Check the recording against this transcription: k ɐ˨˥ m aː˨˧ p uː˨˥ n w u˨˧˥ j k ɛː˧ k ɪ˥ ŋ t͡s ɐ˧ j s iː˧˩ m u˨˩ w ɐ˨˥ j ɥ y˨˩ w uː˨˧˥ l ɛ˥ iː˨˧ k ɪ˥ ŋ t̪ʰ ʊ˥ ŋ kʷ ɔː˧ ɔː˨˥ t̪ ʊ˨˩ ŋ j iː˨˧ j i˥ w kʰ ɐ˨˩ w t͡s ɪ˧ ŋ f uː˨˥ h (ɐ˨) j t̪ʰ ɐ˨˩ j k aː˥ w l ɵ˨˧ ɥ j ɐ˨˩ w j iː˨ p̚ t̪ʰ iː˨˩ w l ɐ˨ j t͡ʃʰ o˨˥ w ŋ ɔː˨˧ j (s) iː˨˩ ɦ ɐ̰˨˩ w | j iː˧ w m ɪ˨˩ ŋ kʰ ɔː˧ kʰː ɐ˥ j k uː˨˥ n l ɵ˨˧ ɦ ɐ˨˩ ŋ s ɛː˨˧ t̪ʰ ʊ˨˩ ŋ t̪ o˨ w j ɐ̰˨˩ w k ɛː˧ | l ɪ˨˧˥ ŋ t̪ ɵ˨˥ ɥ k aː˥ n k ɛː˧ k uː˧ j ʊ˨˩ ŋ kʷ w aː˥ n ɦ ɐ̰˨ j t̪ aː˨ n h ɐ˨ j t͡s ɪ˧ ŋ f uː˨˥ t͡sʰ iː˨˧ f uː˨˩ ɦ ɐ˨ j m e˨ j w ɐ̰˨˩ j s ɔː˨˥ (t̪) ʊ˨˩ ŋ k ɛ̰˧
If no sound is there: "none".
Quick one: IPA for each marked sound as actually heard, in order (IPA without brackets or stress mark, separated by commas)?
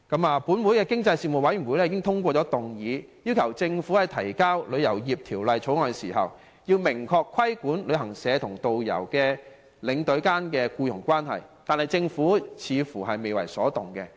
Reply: ɐ˨, s, t̪